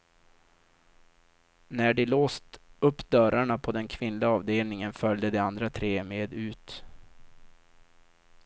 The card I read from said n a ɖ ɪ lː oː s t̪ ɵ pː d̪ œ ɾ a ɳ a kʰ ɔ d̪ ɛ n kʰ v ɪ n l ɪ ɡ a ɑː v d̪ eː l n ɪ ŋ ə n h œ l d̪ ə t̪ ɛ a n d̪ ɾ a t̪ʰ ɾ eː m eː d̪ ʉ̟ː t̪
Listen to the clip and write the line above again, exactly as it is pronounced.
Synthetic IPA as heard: n æ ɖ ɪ l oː s t̪ ɵ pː d̪ œ ɾ a ɳ a pʰ ɔ d̪ ɛ n kʰ v ɪ n l ɪ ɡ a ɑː v d̪ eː l n ɪ ŋ ə n f œ l d̪ ə d̪ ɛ a n d̪ ɾ a t̪ʰ ɾ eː m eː d̪ ʉ̟ː t̪